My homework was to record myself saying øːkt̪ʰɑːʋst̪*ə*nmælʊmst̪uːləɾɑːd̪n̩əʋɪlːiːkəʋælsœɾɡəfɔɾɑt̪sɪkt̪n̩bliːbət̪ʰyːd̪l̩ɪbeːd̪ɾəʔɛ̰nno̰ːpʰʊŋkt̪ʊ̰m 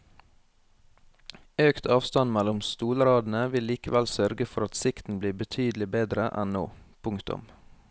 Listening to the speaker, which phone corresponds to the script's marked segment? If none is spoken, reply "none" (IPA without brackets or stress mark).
ɑ